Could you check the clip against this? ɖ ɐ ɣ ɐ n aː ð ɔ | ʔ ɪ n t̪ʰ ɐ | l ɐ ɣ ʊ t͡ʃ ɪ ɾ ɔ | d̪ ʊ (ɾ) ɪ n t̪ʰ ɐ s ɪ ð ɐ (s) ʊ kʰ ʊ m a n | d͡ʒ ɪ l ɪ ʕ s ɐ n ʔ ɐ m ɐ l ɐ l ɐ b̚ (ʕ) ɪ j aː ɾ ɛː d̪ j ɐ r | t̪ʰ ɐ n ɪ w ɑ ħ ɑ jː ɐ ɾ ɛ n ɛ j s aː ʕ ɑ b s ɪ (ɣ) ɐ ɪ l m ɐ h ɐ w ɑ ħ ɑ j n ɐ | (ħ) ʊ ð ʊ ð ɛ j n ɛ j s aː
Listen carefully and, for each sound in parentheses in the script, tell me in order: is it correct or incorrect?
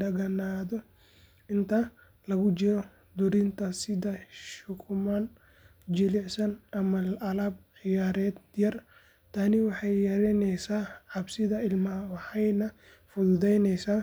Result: correct, incorrect, correct, incorrect, incorrect

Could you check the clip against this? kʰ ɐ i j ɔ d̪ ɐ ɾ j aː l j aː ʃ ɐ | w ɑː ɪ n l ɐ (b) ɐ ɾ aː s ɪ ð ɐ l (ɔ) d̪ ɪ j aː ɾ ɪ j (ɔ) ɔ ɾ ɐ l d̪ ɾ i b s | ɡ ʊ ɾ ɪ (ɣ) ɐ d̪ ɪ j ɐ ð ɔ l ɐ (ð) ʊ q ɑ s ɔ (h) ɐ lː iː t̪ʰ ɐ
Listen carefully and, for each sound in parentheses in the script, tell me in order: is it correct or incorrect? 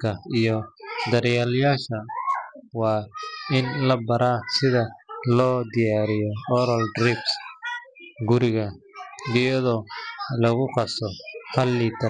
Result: correct, incorrect, correct, correct, incorrect, correct

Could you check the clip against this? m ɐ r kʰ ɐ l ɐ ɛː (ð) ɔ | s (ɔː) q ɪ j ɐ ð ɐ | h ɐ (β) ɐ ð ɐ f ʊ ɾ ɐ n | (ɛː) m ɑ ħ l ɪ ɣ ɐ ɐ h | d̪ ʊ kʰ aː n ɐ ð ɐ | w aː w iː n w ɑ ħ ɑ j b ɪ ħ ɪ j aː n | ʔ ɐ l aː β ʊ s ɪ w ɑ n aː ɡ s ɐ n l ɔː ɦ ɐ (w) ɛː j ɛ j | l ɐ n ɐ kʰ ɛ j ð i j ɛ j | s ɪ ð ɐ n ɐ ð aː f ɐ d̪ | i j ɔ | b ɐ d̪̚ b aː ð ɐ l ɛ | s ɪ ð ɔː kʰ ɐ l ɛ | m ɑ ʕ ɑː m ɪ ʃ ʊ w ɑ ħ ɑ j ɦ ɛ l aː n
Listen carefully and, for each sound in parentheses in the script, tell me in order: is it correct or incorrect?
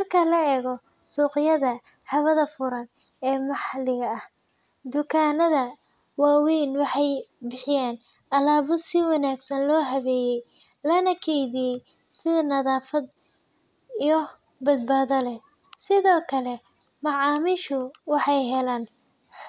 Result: incorrect, incorrect, correct, correct, incorrect

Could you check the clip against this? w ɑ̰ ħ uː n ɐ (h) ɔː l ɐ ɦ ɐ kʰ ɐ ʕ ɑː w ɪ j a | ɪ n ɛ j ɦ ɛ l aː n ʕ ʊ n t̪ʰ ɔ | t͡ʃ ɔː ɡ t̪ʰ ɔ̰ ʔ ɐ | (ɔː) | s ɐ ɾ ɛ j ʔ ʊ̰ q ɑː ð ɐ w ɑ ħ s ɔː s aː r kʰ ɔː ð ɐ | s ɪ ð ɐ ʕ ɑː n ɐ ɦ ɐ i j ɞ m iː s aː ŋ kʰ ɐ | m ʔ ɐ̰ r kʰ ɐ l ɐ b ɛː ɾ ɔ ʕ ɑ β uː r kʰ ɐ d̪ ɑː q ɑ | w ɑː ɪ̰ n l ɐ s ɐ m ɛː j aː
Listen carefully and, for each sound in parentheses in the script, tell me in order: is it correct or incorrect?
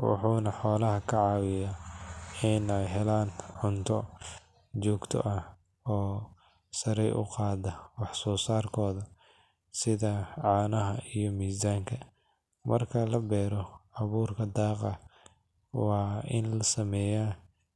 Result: incorrect, correct

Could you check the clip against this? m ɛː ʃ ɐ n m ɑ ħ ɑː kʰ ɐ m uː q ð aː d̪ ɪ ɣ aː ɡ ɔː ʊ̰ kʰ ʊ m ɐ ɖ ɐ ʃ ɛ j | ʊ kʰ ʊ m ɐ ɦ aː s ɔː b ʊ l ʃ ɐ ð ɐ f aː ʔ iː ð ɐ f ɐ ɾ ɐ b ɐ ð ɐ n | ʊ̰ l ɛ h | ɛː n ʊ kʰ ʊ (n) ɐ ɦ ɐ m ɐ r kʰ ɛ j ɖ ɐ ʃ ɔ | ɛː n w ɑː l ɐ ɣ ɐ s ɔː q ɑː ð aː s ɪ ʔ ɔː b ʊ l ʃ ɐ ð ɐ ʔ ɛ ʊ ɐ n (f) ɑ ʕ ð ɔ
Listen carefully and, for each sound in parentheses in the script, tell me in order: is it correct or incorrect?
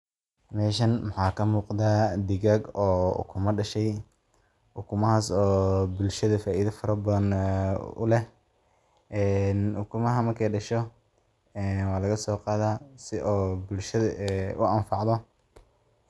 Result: incorrect, correct

